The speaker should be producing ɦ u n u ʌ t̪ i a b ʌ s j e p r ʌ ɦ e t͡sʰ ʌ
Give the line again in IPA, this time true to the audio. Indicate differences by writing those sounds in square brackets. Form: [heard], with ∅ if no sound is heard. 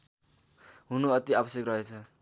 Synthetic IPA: ɦ u n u ʌ t̪ i a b ʌ s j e [k] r ʌ ɦ e t͡sʰ ʌ